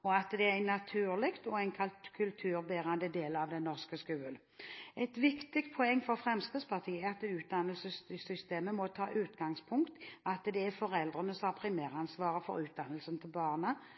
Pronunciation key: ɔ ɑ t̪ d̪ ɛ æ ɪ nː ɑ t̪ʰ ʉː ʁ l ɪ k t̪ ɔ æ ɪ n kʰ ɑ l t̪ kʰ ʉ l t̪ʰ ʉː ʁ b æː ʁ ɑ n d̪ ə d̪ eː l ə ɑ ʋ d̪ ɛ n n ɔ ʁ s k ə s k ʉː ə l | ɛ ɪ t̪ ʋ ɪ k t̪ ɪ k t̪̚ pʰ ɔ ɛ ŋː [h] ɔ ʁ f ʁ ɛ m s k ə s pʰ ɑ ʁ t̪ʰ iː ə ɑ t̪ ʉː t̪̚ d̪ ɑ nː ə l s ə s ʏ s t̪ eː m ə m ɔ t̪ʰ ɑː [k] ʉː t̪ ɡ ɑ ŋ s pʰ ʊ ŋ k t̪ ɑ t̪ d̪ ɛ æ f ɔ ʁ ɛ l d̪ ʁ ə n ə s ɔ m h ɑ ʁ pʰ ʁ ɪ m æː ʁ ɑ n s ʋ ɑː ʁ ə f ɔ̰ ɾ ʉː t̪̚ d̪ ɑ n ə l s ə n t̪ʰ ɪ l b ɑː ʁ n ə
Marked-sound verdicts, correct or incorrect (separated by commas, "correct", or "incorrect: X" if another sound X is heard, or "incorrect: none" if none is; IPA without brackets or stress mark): incorrect: f, incorrect: ʔ